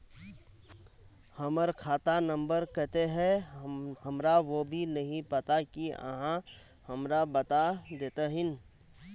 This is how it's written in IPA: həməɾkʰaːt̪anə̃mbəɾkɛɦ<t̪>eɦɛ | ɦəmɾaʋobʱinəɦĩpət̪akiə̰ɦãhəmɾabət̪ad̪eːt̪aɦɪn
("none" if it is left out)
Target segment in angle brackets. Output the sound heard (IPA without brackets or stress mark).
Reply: t̪